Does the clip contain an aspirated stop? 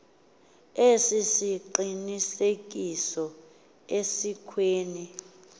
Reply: yes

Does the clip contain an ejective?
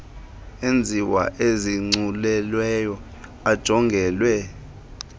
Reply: no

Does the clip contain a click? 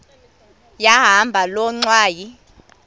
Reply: yes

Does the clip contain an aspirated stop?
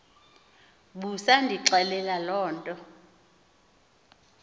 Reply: no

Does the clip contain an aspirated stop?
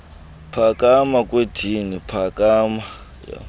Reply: yes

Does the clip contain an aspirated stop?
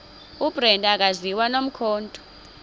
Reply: yes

